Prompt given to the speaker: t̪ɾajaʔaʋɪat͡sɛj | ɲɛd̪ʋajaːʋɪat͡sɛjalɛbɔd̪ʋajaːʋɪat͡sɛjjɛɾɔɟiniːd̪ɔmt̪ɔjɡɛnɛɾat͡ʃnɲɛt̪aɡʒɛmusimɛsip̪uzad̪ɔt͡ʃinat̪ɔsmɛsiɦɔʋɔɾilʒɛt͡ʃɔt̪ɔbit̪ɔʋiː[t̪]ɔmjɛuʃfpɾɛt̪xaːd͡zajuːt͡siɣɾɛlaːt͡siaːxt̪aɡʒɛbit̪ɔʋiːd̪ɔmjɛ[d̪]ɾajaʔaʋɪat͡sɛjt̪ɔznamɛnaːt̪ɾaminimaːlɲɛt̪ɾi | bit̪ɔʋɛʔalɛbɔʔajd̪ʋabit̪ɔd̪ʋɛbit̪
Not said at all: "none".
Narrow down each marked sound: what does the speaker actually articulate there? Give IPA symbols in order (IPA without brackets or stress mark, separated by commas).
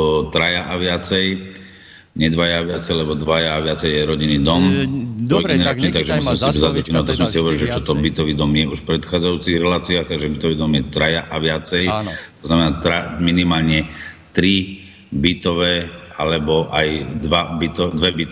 d̪, t̪